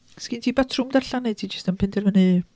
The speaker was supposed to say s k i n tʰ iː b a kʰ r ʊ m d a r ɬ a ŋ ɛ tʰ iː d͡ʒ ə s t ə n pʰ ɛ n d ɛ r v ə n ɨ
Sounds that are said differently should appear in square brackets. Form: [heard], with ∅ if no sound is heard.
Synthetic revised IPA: s k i n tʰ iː b a [tʰ] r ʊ m d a r ɬ a [n] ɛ tʰ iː d͡ʒ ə s t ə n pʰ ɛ n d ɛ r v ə n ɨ